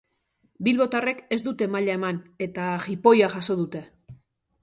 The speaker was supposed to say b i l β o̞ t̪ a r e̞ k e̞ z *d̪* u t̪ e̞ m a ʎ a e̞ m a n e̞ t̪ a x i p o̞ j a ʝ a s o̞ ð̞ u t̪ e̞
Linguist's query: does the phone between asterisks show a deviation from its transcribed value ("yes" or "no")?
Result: no